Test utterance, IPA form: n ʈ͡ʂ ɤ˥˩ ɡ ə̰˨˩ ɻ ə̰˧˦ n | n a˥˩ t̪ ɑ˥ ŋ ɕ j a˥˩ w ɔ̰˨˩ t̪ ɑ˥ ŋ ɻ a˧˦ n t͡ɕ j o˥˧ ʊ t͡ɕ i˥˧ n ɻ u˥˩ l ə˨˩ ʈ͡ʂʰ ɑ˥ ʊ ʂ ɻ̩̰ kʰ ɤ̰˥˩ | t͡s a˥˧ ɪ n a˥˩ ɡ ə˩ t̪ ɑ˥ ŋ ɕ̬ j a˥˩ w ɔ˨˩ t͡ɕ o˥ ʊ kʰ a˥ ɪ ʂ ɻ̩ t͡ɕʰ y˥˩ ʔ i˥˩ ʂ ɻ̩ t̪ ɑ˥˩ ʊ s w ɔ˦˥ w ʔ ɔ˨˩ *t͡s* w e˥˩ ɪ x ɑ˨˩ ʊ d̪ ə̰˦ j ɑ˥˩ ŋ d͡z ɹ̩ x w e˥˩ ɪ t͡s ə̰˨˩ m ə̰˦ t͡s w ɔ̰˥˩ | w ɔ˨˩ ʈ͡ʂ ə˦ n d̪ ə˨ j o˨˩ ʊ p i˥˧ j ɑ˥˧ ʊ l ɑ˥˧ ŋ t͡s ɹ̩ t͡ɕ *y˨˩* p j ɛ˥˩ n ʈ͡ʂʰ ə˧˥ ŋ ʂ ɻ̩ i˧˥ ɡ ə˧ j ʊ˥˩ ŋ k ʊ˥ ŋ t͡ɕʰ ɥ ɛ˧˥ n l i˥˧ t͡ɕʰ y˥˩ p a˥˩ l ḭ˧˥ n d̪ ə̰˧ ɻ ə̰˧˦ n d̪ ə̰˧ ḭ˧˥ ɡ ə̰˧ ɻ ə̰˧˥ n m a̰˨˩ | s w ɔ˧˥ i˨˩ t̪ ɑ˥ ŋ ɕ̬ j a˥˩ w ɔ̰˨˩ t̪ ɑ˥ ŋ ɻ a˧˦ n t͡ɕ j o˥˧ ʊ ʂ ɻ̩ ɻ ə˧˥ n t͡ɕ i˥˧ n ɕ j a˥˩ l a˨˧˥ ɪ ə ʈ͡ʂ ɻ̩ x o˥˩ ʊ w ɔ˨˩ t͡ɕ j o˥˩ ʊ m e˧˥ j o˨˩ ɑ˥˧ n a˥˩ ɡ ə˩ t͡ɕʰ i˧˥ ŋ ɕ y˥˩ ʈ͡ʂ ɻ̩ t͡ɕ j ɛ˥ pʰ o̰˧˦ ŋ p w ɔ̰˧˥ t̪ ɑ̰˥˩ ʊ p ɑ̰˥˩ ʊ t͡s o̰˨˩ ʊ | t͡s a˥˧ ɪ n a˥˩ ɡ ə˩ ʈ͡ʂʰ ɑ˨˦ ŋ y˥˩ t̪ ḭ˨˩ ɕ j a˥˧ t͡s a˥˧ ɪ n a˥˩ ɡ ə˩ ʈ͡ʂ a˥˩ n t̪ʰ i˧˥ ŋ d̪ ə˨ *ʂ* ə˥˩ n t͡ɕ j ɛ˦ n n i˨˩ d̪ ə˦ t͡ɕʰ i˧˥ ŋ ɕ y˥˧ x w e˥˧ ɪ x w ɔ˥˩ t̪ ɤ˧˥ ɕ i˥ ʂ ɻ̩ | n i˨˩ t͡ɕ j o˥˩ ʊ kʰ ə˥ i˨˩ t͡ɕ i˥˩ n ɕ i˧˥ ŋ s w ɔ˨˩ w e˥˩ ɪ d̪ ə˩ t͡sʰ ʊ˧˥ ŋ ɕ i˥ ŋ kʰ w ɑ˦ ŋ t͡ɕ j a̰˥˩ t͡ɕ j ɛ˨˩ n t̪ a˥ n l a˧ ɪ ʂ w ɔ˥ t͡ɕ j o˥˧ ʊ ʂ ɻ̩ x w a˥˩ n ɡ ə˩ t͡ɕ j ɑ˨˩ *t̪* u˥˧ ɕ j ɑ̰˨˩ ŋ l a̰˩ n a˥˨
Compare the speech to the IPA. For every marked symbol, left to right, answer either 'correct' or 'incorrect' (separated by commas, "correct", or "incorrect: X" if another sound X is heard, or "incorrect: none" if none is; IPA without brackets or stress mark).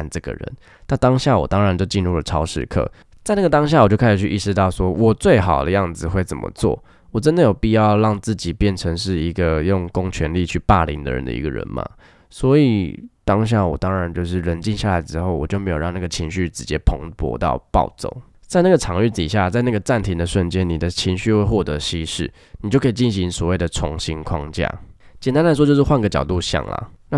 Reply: correct, incorrect: i˨˩, correct, correct